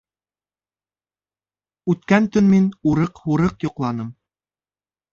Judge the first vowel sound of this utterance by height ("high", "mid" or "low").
high